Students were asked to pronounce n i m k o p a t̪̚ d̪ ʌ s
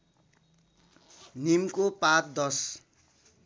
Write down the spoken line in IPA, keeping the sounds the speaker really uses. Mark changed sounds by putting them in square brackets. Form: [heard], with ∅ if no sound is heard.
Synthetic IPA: n i m k o p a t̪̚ d̪ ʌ s